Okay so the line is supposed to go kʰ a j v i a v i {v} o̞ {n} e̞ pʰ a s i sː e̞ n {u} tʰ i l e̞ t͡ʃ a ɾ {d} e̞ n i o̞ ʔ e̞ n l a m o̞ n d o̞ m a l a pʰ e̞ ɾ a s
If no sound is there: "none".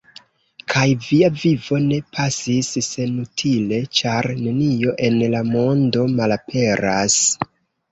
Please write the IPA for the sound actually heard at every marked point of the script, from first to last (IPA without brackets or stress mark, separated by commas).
v, n, u, n